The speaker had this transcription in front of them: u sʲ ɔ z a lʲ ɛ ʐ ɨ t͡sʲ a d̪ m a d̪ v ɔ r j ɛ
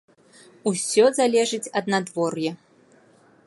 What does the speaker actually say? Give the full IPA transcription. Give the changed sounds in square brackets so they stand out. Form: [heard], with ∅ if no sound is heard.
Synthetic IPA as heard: u sʲ ɔ z a lʲ ɛ ʐ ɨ t͡sʲ [ɐ] d̪ [n] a d̪ v ɔ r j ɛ